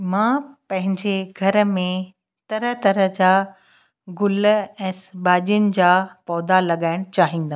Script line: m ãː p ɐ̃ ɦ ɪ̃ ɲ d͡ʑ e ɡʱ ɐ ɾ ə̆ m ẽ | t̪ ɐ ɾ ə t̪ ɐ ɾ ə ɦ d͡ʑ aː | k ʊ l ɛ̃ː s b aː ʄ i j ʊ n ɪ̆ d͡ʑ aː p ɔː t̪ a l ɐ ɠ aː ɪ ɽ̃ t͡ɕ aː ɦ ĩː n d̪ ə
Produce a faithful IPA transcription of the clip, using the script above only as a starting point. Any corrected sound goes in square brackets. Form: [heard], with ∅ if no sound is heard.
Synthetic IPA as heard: m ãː p ɐ̃ ɦ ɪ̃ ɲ d͡ʑ e ɡʱ ɐ ɾ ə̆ m ẽ | t̪ ɐ ɾ ə t̪ ɐ ɾ ə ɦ d͡ʑ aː | [ɡ] ʊ l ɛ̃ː s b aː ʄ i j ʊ n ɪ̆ d͡ʑ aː p ɔː [d̪] a l ɐ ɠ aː ɪ ɽ̃ t͡ɕ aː ɦ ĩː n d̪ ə

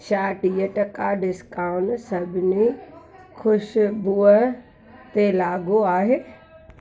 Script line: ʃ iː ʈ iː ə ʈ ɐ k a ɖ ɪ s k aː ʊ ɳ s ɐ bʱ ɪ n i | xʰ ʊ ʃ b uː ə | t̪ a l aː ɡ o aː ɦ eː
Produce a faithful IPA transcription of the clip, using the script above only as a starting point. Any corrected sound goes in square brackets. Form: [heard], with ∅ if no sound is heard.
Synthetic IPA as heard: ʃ [aː] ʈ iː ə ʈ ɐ k a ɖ ɪ s k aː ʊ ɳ s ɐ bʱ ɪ n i | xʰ ʊ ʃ b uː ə | t̪ [e] l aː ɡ o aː ɦ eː

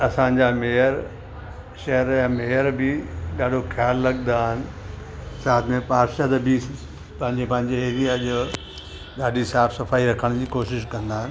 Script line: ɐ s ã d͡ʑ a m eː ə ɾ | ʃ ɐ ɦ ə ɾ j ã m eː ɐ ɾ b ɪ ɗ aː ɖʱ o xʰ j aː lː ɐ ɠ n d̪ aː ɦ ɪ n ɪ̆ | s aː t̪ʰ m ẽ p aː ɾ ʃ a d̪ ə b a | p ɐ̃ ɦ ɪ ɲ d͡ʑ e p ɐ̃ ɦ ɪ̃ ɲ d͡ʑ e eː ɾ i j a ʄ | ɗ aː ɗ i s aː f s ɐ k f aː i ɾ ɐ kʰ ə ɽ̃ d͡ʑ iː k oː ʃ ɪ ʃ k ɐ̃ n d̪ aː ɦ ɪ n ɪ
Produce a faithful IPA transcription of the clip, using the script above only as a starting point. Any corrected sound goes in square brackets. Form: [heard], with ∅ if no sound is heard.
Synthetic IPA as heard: ɐ s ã d͡ʑ a m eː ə ɾ | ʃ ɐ ɦ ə ɾ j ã m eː [ə] ɾ b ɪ ɗ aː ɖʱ o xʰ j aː lː ɐ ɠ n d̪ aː ɦ ɪ n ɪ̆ | s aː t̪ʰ m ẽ p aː ɾ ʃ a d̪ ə b [i] | p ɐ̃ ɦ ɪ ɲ d͡ʑ e p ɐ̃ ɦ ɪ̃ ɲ d͡ʑ e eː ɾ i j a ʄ | ɗ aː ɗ i s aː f s ɐ [∅] f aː i ɾ ɐ kʰ ə ɽ̃ d͡ʑ iː k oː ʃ ɪ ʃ k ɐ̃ n d̪ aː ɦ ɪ n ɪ

